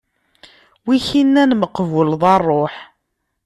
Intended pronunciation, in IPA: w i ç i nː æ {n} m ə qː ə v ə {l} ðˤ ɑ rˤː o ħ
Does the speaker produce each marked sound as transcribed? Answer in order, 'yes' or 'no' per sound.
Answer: yes, yes

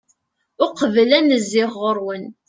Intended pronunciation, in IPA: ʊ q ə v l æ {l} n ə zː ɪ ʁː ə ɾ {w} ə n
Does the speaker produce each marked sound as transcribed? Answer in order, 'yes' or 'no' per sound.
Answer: no, yes

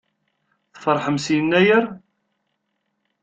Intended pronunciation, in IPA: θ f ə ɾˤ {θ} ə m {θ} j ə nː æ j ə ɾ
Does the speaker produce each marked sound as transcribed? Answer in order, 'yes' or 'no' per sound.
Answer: no, no

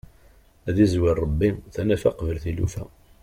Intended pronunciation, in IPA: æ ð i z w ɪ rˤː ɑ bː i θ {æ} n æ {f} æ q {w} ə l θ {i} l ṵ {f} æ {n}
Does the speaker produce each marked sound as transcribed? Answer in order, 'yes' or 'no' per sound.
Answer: yes, yes, no, yes, yes, no

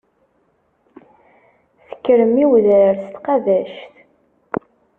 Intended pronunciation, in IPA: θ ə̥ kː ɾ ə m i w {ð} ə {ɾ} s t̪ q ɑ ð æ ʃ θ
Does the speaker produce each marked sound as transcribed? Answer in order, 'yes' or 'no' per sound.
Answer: yes, yes

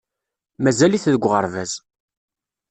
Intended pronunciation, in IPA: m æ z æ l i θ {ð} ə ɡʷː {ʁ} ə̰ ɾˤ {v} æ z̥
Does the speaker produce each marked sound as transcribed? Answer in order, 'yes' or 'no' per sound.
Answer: yes, yes, yes

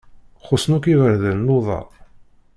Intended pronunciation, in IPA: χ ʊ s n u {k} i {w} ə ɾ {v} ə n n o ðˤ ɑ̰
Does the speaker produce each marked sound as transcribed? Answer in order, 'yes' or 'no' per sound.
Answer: yes, no, no

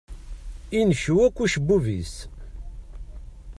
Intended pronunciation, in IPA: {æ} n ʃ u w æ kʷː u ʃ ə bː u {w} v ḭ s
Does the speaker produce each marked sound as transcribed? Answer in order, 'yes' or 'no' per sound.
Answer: no, no

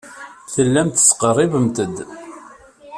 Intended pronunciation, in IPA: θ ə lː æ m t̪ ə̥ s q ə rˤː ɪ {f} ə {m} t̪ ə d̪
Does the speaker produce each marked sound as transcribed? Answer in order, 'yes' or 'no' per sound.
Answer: no, yes

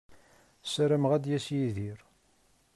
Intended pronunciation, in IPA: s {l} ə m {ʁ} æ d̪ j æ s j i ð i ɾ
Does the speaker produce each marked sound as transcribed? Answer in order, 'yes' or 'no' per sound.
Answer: no, yes

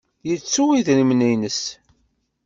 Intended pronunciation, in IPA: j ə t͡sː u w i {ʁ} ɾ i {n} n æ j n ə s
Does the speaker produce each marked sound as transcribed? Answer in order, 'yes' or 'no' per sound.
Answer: no, no

